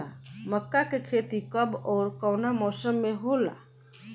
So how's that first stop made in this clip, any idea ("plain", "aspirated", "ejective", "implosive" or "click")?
plain